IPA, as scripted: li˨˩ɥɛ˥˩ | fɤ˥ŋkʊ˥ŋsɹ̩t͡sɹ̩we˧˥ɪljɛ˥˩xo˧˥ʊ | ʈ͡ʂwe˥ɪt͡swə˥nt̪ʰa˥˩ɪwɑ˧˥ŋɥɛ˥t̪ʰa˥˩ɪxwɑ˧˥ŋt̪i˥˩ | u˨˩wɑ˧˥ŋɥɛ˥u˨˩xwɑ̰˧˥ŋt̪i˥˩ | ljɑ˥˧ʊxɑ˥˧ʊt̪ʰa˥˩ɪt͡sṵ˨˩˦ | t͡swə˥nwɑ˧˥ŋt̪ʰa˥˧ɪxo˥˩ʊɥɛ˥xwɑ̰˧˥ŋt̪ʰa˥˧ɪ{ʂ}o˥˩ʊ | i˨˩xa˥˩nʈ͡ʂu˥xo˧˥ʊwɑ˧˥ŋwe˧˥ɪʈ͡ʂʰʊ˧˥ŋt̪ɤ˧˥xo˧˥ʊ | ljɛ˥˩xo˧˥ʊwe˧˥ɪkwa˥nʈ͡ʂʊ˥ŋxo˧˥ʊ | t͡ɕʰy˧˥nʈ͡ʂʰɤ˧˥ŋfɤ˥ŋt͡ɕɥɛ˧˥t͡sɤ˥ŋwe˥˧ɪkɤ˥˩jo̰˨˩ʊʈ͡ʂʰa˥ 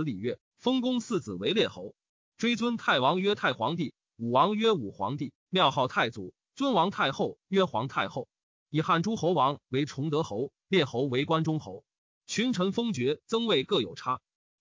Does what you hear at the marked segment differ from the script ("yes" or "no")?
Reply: yes